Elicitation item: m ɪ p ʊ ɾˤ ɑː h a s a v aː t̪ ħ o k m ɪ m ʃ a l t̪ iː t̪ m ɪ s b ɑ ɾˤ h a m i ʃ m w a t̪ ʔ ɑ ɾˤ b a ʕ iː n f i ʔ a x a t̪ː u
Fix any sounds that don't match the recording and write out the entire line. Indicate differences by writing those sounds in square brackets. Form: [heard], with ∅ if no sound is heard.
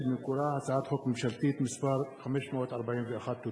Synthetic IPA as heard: m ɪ [k] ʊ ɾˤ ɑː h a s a [ʕ] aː t̪ ħ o k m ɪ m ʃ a l t̪ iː t̪ m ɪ s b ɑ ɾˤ [x] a m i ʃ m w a t̪ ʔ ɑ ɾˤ b a ʕ iː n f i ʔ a x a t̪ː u

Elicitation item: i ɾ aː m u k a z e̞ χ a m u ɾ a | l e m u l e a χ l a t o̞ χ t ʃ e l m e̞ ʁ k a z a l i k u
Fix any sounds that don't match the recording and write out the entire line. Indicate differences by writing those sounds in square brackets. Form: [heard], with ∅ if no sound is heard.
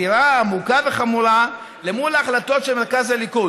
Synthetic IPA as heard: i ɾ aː m u k a [v] e̞ χ a m u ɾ a | l e m u l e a χ l a t o̞ [∅] t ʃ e l m e̞ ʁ k a z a l i k u

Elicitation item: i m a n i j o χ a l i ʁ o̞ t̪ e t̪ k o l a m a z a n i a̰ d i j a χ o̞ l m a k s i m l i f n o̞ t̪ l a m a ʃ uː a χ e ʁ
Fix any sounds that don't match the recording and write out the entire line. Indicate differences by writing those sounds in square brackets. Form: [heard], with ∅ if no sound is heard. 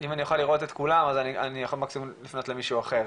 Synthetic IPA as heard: i m a n i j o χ a l i ʁ o̞ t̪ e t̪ k [u] l a m a z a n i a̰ [n] i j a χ o̞ l m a k s i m l i f n o̞ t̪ l [e] m [i] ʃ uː a χ e ʁ

